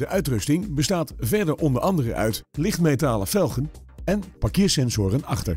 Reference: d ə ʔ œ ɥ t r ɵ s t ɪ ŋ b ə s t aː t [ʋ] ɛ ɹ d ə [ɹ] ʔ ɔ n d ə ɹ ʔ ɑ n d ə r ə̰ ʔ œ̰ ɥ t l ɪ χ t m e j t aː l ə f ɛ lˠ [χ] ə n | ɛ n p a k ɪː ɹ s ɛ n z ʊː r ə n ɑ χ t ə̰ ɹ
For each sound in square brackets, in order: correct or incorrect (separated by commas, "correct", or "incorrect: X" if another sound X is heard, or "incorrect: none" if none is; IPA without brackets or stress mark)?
incorrect: v, correct, correct